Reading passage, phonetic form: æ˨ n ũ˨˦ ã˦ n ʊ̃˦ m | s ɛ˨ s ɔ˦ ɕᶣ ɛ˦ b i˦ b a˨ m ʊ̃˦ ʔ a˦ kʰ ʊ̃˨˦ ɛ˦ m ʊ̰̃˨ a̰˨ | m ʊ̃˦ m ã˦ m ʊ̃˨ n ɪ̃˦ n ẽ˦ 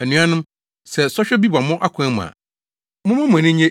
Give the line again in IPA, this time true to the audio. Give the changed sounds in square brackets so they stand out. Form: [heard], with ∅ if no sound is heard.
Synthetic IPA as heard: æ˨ n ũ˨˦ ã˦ n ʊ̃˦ m | s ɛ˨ s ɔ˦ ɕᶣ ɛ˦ b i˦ b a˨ m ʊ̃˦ ʔ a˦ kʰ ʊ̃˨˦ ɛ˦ m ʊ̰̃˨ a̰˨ | m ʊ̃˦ m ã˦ m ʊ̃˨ n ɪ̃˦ [ɲ] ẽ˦